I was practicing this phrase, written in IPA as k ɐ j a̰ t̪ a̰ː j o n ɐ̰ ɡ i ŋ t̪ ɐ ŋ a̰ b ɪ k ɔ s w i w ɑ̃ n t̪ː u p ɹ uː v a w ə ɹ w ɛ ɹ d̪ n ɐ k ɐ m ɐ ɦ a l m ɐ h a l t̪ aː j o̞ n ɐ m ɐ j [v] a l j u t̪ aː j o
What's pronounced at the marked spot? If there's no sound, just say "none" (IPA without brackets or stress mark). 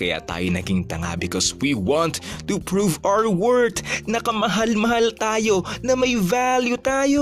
v